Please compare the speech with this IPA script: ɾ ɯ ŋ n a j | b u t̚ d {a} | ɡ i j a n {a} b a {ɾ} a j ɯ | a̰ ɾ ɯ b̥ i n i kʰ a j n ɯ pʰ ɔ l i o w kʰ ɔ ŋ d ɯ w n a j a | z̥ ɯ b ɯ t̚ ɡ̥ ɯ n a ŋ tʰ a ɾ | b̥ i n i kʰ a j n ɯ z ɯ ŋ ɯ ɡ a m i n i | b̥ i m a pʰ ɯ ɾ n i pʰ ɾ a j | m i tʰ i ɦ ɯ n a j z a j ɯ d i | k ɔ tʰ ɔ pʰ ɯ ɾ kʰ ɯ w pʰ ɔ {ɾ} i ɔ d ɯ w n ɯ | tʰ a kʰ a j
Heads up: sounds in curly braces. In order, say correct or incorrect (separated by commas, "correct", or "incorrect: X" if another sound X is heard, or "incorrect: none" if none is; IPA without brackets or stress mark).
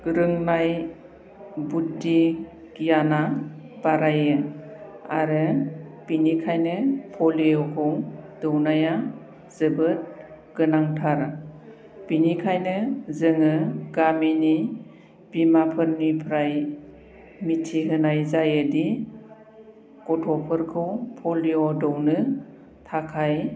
incorrect: i, correct, correct, incorrect: l